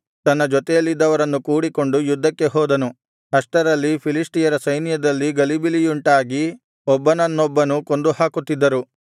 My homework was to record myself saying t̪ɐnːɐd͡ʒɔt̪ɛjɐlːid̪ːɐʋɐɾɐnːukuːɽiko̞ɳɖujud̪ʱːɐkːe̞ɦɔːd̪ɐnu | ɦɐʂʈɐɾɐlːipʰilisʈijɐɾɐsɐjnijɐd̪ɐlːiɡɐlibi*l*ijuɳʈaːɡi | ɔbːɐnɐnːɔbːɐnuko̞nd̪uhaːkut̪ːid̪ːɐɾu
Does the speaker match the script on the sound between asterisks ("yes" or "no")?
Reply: yes